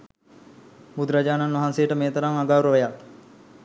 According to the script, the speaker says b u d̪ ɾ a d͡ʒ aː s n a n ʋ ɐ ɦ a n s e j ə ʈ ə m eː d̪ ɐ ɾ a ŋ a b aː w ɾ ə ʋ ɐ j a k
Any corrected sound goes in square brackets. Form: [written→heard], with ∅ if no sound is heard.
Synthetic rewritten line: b u d̪ ɾ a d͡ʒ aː [s→∅] n a n ʋ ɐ ɦ a n s e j ə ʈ ə m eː [d̪→t̪] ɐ ɾ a ŋ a [b→ɡ] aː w ɾ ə ʋ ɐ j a k